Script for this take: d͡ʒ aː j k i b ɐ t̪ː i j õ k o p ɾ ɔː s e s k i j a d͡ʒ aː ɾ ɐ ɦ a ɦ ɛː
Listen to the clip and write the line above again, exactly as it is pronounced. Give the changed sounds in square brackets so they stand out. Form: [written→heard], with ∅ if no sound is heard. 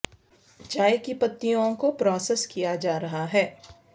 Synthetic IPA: d͡ʒ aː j k i [b→p] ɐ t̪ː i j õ k o p ɾ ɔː s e s k i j a d͡ʒ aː ɾ ɐ ɦ a ɦ ɛː